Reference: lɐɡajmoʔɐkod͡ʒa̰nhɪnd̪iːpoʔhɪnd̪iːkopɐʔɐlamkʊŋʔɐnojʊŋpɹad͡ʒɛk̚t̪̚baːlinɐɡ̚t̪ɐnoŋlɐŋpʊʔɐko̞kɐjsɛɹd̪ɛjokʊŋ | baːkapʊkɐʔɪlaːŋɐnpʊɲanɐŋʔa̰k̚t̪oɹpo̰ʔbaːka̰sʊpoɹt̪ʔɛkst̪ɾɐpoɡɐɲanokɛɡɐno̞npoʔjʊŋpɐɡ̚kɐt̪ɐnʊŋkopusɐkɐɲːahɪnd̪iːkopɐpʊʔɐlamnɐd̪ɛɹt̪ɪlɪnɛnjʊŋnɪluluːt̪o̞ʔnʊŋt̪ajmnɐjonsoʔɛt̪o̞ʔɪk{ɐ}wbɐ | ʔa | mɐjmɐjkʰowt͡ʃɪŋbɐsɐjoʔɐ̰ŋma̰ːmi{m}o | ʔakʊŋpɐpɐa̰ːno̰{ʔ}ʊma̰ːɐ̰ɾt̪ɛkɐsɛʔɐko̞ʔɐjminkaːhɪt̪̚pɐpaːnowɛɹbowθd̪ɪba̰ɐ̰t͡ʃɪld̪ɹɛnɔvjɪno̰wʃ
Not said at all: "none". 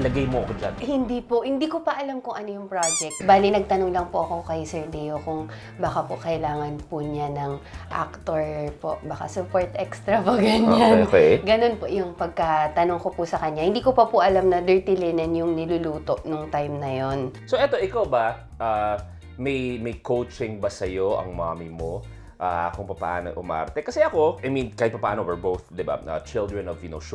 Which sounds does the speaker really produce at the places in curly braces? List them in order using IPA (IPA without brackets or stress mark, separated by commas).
a, m, ʔ